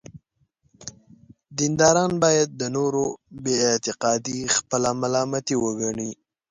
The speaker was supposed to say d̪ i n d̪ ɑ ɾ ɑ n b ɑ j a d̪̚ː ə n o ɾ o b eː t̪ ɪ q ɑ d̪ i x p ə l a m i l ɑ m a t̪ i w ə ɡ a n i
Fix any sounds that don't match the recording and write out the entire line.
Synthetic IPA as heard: d̪ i n d̪ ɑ ɾ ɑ n b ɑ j a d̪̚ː ə n o ɾ o b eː t̪ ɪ q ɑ d̪ i x p ə l a m a l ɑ m a t̪ i w ə ɡ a ɳ i